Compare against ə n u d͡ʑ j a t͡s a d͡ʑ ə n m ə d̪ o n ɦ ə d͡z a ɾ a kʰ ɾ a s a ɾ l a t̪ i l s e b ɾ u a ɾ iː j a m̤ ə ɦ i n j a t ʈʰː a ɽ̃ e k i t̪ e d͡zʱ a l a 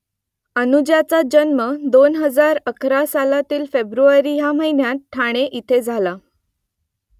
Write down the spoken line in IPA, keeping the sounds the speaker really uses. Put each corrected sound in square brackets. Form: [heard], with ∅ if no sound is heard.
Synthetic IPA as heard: ə n u d͡ʑ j a t͡s a d͡ʑ ə n m ə d̪ o n ɦ ə d͡z a ɾ [ə] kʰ ɾ a s a [∅] l a t̪ [iː] l [f] e b ɾ u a ɾ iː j a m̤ ə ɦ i n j a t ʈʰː a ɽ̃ e [ʔ] i [t̪ʰ] e d͡zʱ a l a